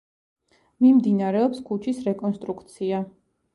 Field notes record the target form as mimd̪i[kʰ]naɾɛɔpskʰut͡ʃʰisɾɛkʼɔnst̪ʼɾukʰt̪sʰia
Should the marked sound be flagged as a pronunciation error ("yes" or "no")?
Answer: yes